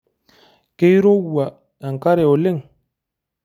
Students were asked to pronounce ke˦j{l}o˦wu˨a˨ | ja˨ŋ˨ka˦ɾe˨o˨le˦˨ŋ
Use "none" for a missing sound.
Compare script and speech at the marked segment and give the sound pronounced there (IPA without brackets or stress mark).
ɾ